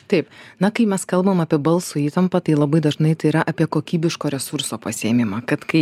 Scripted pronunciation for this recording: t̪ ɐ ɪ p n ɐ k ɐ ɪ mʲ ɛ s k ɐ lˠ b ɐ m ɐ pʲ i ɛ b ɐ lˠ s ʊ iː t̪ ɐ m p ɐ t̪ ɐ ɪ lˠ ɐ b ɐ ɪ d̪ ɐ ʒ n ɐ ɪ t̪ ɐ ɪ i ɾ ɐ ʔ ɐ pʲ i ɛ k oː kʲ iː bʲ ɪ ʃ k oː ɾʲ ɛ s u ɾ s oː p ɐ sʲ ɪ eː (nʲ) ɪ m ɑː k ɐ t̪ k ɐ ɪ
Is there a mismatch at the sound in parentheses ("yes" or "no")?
yes